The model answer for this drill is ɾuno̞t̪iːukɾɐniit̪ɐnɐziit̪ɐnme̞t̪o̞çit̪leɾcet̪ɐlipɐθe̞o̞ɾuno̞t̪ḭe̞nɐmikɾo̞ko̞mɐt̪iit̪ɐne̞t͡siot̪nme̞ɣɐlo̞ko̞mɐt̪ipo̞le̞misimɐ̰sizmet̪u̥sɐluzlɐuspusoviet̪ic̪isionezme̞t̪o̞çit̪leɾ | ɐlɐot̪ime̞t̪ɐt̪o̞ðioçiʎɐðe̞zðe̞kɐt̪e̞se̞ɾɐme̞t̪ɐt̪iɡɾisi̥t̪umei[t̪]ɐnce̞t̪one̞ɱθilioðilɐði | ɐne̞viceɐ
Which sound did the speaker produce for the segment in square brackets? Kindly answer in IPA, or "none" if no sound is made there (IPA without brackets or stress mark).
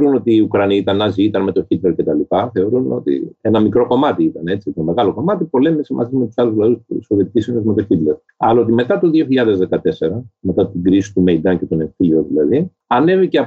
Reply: d̪